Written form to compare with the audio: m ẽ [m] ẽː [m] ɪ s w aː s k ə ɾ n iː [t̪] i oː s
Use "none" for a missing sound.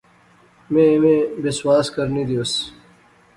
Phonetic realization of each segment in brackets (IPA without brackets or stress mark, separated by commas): m, b, d̪